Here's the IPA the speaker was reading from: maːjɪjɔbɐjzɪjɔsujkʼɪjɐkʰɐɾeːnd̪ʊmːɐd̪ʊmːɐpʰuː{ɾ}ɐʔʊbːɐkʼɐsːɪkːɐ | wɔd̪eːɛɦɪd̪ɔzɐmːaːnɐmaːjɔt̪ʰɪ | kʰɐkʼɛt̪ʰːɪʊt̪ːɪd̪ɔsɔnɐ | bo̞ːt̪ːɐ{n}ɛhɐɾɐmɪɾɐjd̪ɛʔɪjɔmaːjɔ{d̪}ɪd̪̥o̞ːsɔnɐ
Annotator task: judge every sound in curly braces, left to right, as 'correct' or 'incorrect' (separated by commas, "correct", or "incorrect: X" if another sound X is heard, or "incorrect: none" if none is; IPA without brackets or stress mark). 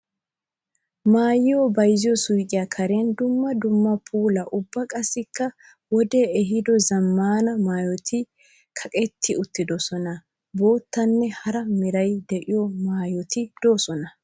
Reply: incorrect: l, incorrect: nː, incorrect: t̪